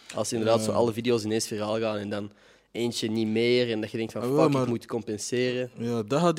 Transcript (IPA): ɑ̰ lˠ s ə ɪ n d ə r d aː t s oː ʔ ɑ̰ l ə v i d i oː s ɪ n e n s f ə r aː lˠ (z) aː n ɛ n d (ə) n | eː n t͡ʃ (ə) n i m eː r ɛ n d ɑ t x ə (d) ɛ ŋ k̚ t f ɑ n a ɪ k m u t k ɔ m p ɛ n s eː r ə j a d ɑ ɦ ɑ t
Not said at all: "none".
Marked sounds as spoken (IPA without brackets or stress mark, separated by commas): ɣ, ɑ, ə, d